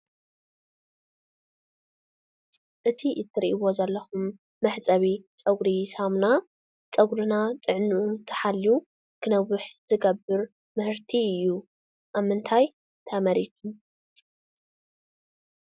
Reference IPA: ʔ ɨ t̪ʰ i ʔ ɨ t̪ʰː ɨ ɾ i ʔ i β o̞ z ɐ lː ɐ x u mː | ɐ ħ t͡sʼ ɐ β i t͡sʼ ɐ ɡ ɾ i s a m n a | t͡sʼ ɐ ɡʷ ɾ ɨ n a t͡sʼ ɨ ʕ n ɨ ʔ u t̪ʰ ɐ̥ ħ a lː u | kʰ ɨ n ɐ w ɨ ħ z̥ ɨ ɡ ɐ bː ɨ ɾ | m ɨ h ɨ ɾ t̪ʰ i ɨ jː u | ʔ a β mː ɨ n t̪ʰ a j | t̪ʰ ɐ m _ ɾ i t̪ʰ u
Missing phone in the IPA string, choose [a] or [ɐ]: ɐ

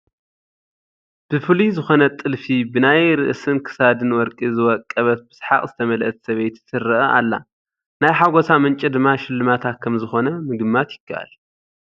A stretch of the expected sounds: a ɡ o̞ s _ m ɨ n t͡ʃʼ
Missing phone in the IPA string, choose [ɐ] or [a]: a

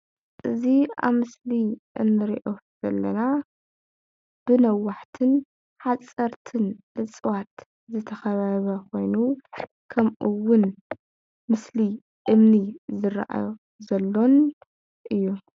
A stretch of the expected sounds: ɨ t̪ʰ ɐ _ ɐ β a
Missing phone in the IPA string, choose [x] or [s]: x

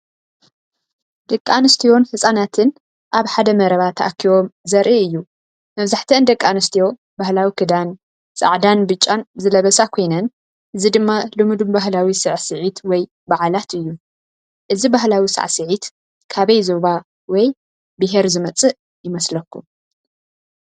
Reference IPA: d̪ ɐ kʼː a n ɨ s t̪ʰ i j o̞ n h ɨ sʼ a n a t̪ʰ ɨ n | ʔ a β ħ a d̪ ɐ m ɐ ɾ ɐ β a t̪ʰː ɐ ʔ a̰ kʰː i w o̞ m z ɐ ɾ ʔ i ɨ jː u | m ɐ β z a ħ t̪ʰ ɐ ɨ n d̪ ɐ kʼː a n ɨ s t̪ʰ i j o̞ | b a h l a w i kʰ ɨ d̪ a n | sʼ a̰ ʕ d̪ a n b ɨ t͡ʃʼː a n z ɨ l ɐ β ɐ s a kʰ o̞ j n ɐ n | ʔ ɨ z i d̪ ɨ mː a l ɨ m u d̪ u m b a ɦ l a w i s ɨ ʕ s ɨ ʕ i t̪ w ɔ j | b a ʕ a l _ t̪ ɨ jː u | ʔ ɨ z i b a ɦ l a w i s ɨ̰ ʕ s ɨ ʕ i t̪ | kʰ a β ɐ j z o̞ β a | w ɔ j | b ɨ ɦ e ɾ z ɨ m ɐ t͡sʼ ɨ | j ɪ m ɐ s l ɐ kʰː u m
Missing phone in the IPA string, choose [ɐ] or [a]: a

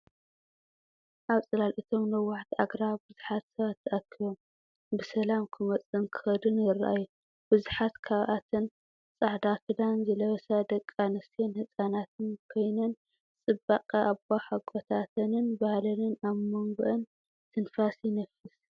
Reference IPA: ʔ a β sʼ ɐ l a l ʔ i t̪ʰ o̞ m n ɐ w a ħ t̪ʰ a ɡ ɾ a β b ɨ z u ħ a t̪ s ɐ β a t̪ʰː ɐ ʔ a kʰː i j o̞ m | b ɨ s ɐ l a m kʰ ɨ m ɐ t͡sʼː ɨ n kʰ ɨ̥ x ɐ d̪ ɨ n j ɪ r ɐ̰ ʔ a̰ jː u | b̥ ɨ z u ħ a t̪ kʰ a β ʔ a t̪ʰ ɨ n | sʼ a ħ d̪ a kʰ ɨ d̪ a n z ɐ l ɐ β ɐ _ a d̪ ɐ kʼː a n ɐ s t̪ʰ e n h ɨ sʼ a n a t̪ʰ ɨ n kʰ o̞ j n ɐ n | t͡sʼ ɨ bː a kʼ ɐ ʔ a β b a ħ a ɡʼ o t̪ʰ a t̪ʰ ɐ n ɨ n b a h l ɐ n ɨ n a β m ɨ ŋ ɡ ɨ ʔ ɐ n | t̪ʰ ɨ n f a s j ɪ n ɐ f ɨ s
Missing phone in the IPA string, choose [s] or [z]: s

